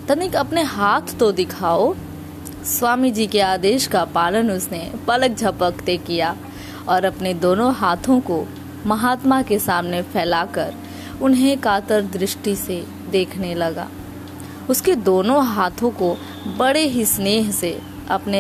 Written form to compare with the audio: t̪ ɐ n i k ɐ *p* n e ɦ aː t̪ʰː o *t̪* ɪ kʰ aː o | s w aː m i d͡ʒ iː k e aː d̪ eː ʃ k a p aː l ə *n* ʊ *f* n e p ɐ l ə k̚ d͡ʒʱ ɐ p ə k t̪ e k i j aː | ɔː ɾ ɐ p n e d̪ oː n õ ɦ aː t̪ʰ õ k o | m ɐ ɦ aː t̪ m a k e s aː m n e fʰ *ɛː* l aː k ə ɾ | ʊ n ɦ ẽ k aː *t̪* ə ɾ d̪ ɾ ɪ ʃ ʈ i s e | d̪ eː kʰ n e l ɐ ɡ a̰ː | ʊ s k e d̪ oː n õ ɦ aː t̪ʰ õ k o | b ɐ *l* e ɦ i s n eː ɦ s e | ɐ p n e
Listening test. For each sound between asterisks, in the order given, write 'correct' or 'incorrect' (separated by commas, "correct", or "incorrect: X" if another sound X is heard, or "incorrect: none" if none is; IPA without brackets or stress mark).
correct, incorrect: d̪, correct, incorrect: s, correct, correct, incorrect: ɽ